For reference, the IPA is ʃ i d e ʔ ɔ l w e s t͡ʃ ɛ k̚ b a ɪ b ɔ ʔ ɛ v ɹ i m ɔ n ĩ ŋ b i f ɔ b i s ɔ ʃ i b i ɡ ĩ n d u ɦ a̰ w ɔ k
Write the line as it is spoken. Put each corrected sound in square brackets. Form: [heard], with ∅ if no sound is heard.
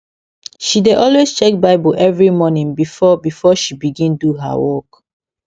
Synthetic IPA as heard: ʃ i d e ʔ ɔ l w e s t͡ʃ ɛ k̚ b a ɪ b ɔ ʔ ɛ v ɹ i m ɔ n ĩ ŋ b i f ɔ b i [f] ɔ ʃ i b i ɡ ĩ n d u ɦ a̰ w ɔ k